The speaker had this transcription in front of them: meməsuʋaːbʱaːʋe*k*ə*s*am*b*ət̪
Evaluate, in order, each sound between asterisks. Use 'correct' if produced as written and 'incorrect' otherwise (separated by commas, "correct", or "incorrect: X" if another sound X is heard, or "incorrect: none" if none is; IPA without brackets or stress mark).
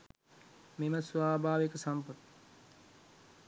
correct, correct, incorrect: p